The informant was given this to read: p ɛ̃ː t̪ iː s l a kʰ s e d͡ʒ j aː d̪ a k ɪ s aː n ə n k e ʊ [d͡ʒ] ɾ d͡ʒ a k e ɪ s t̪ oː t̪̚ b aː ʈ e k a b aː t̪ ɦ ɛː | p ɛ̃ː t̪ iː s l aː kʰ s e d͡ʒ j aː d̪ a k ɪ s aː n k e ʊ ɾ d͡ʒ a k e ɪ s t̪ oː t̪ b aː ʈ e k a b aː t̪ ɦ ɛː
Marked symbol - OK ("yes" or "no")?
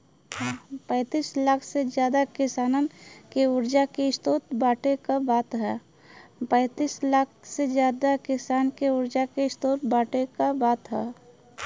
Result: no